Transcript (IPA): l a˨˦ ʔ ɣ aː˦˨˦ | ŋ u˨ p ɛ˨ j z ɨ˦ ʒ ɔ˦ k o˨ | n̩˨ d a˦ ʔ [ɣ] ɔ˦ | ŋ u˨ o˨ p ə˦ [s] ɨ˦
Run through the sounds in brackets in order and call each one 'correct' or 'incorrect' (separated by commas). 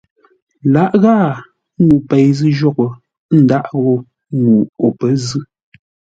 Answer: correct, incorrect